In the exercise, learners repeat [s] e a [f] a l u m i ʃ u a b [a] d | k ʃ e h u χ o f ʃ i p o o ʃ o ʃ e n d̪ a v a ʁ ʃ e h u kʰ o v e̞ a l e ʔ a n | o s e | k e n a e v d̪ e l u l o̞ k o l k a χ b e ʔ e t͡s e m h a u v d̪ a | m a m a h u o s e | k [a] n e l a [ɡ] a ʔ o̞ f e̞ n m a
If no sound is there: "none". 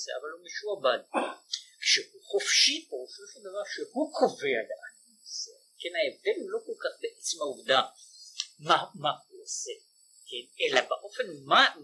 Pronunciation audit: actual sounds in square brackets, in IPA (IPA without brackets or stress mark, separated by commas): s, v, a, e, b